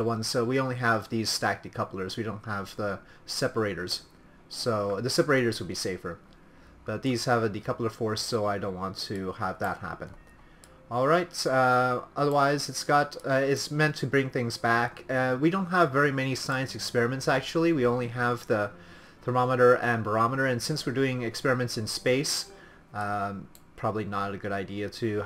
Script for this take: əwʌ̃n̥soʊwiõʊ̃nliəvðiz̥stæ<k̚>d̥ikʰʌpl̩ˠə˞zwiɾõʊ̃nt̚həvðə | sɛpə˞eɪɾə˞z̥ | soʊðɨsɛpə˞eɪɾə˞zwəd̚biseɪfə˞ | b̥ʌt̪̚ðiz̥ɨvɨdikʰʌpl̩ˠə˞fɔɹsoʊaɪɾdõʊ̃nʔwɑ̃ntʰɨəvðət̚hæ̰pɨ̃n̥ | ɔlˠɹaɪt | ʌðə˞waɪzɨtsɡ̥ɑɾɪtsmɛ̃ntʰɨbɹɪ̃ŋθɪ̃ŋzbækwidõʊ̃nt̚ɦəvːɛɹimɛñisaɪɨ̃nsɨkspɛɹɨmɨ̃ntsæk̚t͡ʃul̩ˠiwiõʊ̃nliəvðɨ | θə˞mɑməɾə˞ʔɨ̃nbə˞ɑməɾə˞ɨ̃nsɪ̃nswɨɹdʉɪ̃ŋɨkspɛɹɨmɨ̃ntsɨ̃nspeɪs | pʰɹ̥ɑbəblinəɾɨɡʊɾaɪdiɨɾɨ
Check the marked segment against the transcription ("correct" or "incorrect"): correct